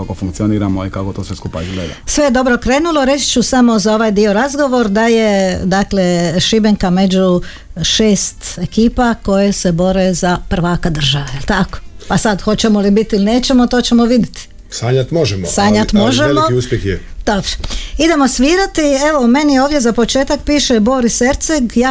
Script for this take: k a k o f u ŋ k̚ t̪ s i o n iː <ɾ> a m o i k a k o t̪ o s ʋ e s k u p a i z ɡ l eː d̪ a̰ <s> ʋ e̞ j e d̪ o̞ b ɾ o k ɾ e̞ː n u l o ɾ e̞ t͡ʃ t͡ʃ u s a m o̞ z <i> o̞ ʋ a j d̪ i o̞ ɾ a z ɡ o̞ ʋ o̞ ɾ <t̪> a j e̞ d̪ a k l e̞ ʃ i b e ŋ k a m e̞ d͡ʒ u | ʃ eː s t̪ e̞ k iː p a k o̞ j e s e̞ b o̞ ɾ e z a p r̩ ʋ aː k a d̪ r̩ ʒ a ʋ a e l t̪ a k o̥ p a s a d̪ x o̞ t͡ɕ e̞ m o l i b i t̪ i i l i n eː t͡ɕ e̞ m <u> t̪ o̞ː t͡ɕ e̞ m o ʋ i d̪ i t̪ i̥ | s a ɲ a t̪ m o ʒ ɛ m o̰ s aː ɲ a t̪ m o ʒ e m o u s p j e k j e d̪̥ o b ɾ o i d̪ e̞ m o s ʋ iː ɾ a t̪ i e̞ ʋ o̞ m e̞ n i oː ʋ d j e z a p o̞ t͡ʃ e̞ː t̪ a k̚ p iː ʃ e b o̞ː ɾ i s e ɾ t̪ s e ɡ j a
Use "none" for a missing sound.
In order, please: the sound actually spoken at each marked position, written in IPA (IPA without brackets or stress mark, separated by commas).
ɾ, s, a, d̪, o